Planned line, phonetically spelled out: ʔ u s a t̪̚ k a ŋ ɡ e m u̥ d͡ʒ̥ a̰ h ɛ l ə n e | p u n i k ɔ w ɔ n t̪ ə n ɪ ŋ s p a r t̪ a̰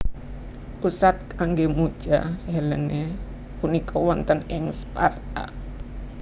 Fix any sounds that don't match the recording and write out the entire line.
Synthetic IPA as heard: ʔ u s a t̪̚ k a ŋ ɡ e m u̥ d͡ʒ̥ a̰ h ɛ l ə n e | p u n i k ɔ w ɔ n t̪ ə n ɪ ŋ s p a r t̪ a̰